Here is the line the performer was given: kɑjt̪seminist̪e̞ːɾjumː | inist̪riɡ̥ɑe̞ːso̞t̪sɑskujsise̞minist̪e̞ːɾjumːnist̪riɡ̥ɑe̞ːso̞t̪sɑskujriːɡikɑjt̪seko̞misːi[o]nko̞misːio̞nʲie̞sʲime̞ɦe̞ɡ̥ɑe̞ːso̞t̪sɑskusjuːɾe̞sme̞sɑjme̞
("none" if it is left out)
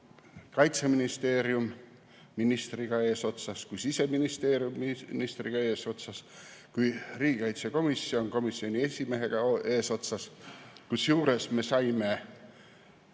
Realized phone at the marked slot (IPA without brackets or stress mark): o